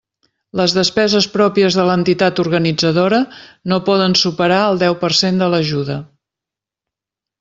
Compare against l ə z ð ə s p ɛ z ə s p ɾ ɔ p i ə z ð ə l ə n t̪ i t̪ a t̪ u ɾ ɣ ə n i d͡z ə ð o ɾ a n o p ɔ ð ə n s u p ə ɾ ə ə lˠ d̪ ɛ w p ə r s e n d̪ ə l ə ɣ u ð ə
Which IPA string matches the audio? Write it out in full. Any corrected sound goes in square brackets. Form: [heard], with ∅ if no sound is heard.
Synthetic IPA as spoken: l ə z ð ə s p ɛ z ə s p ɾ ɔ p i ə z ð ə l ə n t̪ i t̪ a t̪ u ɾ ɣ ə n i d͡z ə ð o ɾ [ə] n o p ɔ ð ə n s u p ə ɾ [a] ə lˠ d̪ ɛ w p ə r s e n d̪ ə l ə [ʒ] u ð ə